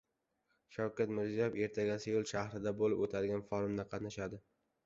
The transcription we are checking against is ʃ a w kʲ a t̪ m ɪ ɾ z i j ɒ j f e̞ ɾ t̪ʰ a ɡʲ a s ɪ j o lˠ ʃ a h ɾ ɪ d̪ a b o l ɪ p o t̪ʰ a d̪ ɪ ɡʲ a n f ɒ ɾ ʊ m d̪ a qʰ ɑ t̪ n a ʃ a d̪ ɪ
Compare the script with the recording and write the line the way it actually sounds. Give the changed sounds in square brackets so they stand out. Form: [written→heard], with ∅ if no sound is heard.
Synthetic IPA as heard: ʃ a w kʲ a t̪ m ɪ ɾ z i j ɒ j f e̞ ɾ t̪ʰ a ɡʲ a s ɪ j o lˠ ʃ a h ɾ ɪ d̪ a b o l ɪ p o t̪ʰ a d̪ ɪ ɡʲ a n f ɒ ɾ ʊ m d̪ a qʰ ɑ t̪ n a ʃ a d̪ ɪ